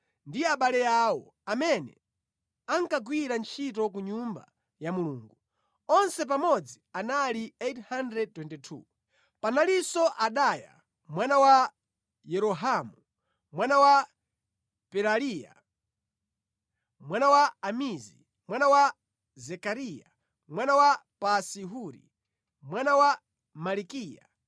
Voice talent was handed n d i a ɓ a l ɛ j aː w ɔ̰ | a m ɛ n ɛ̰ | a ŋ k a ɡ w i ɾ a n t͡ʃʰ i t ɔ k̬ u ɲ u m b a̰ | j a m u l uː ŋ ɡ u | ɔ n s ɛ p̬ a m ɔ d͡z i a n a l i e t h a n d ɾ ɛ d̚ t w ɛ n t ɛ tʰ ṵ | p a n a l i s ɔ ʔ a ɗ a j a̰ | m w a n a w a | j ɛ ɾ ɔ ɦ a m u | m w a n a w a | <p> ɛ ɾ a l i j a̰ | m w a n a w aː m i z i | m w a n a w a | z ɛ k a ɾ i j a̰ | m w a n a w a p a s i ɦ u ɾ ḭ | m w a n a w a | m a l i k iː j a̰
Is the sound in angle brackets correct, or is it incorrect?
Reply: correct